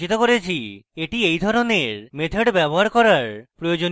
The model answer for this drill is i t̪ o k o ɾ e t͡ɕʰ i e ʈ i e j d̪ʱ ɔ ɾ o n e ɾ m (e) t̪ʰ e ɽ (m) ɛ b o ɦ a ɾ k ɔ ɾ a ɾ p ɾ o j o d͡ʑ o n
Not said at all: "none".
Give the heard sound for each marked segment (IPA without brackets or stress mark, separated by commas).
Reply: e, b